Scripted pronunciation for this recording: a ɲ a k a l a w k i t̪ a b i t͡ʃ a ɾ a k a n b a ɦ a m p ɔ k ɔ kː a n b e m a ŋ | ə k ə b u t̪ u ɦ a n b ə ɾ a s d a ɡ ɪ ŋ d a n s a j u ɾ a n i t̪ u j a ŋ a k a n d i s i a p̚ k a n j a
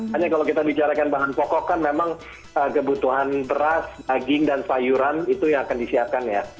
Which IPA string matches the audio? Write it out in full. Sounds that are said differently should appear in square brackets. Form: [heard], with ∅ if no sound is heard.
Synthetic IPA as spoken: a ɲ a k a l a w k i t̪ a b i t͡ʃ a ɾ a k a n b a ɦ a [n] p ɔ k ɔ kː a n [m] e m a ŋ | ə k ə b u t̪ u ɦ a n b ə ɾ a s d a ɡ ɪ ŋ d a n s a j u ɾ a n i t̪ u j a ŋ a k a n d i s i a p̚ k a n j a